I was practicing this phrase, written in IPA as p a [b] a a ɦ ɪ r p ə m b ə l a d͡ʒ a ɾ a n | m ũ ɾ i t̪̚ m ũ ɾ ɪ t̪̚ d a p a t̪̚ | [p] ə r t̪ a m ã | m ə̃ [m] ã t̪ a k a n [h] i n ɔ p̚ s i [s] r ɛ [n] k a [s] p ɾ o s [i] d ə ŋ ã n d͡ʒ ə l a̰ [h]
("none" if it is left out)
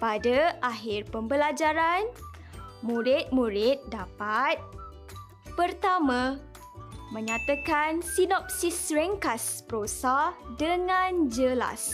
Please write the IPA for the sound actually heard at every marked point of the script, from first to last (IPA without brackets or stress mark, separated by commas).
d, p, ɲ, s, s, ŋ, s, a, s